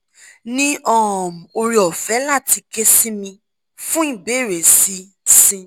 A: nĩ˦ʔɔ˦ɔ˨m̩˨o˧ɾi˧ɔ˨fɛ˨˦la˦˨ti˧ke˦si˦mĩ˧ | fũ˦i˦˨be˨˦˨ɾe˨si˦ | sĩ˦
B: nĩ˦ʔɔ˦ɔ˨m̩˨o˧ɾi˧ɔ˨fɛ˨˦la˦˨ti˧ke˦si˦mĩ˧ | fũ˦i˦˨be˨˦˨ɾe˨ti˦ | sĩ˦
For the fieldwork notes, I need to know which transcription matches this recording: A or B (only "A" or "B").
A